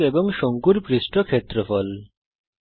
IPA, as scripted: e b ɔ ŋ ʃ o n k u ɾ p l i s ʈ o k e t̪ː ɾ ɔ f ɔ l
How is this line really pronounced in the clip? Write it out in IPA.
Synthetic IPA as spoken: e b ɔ ŋ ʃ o ŋ k u ɾ p ɾ i s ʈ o kʰ e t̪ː ɾ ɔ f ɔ l